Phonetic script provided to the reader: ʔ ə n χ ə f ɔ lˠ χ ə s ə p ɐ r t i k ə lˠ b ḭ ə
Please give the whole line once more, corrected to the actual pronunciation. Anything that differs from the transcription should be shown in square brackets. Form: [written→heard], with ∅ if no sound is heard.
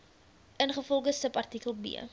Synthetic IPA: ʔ ə n χ ə f ɔ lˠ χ ə s ə p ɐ r t i k ə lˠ b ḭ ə